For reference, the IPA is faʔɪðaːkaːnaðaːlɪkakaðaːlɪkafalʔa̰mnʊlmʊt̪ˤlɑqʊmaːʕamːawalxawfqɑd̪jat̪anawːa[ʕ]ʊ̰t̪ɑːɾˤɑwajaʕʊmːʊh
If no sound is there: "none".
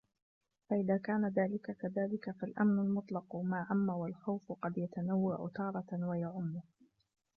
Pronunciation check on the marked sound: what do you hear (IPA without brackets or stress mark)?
ʕ